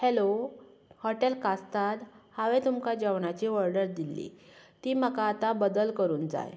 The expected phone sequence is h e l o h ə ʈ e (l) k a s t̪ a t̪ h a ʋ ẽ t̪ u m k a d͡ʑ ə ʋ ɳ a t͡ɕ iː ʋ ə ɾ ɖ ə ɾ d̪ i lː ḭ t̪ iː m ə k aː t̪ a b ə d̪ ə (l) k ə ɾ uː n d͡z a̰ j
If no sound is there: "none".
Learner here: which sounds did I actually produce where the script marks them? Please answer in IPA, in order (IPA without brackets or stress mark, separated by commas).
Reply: l, l